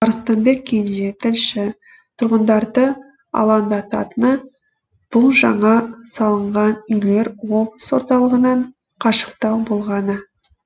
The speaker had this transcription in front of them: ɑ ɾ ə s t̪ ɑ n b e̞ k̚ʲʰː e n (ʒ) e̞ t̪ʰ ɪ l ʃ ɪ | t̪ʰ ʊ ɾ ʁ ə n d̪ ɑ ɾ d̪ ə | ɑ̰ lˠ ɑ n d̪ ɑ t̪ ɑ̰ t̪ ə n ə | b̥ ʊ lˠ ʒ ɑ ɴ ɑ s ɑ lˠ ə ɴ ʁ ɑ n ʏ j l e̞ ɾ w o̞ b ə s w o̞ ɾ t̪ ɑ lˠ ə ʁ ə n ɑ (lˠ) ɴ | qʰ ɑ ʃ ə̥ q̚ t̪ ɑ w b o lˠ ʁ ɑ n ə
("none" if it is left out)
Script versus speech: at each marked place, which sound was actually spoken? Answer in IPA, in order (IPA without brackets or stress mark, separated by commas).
ʒ, none